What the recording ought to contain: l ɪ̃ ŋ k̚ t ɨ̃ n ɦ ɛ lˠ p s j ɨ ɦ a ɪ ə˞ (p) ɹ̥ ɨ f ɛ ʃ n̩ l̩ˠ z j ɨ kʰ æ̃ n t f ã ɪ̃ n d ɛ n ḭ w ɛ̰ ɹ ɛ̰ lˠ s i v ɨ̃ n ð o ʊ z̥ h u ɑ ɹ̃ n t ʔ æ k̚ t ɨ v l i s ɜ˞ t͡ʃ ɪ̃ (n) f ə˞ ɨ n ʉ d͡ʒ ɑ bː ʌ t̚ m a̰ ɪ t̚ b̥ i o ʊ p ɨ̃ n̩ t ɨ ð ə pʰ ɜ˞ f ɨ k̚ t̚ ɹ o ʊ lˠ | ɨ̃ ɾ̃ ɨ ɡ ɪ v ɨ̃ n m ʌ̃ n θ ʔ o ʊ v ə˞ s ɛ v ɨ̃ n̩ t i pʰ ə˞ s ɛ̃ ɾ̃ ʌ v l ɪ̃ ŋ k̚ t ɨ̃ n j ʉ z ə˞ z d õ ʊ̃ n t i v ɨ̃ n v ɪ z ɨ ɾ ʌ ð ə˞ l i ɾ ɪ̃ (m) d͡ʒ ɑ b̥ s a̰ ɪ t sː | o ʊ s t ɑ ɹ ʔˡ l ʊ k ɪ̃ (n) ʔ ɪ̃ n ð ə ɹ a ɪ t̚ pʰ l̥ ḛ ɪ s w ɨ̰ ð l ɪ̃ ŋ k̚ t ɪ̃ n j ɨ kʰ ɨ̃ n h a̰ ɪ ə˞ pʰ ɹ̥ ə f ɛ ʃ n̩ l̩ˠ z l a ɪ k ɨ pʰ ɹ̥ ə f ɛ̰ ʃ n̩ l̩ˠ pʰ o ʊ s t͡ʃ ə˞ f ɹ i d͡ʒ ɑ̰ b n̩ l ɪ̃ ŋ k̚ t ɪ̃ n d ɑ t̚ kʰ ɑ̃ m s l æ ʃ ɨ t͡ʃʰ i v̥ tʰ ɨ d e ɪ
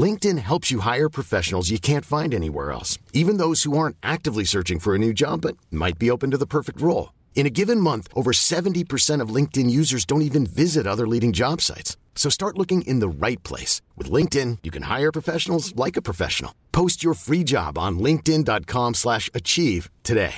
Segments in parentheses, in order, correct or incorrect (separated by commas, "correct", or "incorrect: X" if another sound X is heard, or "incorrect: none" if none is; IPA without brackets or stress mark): incorrect: pʰ, incorrect: ŋ, incorrect: ŋ, incorrect: ŋ